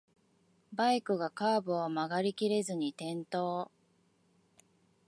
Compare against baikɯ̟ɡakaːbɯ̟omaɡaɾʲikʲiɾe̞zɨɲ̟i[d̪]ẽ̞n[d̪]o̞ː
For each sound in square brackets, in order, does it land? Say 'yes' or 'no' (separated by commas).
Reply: no, no